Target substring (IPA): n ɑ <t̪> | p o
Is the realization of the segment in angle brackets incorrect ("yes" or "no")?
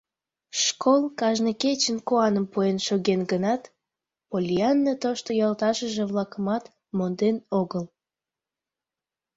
no